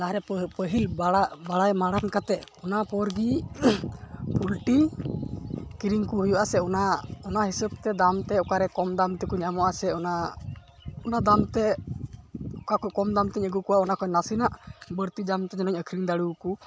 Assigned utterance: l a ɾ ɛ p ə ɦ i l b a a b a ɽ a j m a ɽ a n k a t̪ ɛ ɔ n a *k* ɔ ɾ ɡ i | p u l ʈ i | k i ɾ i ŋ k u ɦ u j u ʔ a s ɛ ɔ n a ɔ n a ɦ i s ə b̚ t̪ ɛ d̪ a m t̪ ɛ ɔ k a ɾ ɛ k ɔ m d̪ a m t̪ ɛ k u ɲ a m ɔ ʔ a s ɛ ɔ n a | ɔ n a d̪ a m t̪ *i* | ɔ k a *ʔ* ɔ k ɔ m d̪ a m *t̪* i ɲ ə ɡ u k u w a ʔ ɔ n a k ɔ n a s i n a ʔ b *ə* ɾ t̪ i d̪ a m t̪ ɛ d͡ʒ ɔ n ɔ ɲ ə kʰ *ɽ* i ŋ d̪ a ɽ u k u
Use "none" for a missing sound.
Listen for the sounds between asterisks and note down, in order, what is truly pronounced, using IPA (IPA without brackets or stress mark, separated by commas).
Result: p, ɛ, k, t̪, ə, ɾ